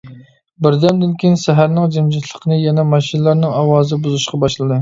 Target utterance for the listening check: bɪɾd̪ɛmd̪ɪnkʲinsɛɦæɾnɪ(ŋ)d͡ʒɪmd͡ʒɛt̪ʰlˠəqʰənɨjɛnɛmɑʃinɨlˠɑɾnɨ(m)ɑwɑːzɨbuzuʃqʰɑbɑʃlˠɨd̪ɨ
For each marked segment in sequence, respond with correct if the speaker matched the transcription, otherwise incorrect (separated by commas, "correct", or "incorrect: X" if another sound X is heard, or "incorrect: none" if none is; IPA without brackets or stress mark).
correct, incorrect: ŋ